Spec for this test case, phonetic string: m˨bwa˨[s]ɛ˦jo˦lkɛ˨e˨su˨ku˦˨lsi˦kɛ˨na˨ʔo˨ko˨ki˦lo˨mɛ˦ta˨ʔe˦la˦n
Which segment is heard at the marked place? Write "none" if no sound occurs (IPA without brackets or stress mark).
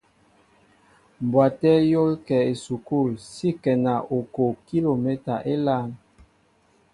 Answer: t